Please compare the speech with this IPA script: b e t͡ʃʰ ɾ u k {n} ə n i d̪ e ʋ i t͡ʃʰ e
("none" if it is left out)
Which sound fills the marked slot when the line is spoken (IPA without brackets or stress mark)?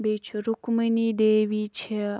m